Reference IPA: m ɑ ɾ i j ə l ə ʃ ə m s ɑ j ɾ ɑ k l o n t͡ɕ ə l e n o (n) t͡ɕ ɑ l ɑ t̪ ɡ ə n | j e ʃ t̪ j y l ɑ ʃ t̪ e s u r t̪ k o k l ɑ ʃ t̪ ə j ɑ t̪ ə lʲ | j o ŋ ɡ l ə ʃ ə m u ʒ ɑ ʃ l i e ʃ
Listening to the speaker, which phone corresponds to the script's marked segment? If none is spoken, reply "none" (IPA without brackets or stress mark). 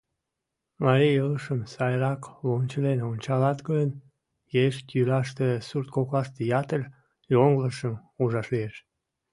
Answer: n